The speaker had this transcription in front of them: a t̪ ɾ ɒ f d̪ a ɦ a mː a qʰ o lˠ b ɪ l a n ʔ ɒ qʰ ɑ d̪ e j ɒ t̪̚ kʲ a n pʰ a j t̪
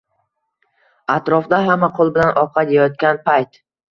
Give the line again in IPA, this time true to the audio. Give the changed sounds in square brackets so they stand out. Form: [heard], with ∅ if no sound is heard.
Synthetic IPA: a t̪ ɾ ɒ f d̪ a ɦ a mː a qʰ o lˠ b ɪ l a n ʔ ɒ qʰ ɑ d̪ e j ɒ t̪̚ kʲ a n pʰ a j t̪